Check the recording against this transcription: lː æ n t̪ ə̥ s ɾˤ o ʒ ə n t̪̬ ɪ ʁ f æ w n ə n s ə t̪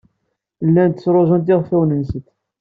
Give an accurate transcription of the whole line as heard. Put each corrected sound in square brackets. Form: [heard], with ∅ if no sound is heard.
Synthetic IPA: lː æ n t̪ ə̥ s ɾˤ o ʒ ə n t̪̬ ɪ ʁ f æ w n ə n s ə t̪